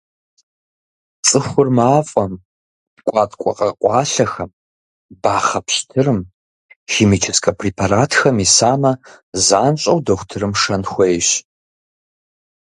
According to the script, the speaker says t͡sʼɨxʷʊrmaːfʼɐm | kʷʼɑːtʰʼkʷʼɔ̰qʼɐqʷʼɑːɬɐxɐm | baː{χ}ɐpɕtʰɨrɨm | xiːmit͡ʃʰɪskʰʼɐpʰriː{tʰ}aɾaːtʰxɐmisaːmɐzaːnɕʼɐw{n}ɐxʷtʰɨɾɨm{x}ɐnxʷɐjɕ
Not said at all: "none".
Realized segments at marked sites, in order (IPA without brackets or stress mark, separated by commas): χ, pʰ, d, ʂ